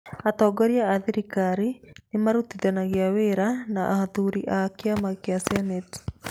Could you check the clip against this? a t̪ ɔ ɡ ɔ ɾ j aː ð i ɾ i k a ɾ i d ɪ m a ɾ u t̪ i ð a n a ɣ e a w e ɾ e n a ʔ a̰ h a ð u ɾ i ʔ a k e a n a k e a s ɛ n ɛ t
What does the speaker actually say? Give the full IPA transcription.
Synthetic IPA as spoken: a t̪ ɔ ɡ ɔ ɾ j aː ð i ɾ i k a ɾ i n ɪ m a ɾ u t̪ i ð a n a ɣ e a w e ɾ a n a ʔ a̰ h a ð u ɾ i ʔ a k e a m a k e a s ɛ n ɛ t